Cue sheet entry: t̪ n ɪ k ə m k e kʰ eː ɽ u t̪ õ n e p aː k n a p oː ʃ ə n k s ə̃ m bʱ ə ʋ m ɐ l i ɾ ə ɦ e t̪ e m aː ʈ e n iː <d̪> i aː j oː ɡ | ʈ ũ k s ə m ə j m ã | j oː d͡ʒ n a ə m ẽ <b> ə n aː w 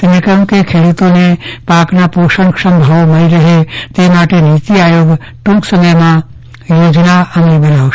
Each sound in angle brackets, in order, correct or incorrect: incorrect: t̪, correct

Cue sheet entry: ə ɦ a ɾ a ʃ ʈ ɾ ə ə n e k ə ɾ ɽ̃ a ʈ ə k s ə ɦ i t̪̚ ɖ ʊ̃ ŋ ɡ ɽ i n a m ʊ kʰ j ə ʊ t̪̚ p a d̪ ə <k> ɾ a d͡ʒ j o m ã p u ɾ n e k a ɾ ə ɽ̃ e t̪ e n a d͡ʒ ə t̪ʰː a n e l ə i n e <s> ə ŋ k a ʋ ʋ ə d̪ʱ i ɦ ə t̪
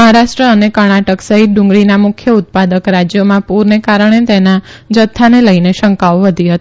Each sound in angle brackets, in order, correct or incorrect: correct, incorrect: ʃ

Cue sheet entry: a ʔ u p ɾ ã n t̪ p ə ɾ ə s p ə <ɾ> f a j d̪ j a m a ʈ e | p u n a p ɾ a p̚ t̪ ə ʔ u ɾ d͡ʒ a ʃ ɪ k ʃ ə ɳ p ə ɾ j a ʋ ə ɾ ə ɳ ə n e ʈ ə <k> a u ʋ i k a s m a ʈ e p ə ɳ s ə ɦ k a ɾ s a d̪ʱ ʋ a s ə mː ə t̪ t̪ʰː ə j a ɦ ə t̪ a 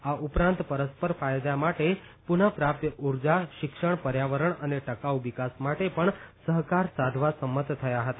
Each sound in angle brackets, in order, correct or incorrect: correct, correct

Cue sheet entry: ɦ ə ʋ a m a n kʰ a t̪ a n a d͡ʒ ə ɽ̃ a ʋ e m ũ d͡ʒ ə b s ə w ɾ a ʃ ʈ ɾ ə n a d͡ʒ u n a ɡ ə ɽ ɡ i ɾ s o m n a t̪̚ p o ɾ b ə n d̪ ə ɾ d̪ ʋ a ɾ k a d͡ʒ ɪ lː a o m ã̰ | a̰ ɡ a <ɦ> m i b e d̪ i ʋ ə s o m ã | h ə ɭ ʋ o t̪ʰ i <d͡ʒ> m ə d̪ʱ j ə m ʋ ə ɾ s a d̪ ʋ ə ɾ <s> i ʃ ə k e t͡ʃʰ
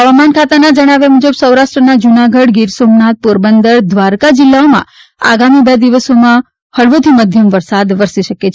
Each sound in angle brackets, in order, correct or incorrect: incorrect: none, incorrect: none, correct

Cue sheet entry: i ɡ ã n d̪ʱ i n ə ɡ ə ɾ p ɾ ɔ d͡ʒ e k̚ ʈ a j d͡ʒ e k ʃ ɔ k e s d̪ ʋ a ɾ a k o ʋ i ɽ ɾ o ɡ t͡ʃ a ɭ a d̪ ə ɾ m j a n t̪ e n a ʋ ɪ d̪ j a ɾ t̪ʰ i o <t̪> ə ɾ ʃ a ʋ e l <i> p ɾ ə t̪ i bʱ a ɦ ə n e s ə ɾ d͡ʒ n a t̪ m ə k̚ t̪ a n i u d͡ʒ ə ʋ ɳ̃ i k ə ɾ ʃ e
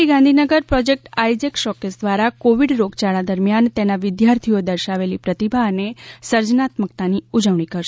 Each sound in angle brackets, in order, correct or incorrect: incorrect: d̪, correct

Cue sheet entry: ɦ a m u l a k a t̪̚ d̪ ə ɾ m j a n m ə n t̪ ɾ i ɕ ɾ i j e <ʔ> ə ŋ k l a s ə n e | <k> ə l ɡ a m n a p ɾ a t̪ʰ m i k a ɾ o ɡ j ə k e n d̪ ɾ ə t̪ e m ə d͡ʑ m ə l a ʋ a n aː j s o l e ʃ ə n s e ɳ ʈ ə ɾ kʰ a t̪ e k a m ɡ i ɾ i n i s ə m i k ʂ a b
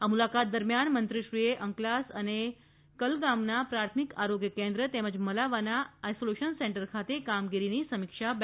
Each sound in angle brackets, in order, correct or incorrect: correct, correct

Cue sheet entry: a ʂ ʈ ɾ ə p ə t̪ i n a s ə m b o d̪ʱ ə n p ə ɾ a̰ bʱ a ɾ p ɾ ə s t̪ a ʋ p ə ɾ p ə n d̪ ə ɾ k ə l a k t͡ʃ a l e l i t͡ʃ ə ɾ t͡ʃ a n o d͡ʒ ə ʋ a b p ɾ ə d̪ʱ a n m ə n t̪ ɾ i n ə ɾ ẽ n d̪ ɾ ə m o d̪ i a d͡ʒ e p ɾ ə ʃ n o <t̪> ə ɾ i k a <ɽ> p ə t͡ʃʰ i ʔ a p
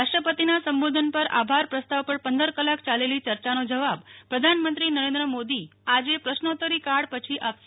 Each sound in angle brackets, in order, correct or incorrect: correct, correct

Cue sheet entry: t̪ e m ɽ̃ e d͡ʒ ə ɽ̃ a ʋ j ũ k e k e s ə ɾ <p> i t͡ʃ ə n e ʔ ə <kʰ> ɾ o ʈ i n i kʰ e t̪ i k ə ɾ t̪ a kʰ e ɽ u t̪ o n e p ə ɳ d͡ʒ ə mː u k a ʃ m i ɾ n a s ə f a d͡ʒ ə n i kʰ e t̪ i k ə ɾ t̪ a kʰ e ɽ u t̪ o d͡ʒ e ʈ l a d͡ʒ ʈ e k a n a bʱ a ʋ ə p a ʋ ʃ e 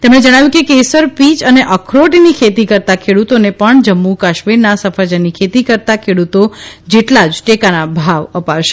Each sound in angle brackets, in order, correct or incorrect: correct, correct

